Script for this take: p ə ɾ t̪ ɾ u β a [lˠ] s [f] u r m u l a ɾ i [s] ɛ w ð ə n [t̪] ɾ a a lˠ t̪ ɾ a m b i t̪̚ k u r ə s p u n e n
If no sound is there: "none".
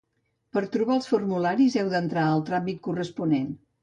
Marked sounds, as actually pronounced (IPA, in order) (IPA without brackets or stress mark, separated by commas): lˠ, f, z, t̪